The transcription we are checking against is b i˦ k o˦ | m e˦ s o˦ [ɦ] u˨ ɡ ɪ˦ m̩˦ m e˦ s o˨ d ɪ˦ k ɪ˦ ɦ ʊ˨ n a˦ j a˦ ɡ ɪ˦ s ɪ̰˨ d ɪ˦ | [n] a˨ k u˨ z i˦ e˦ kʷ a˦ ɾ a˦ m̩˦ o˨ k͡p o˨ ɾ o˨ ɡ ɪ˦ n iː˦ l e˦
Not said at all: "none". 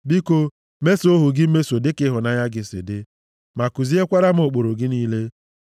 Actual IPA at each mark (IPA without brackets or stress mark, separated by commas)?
ɦ, m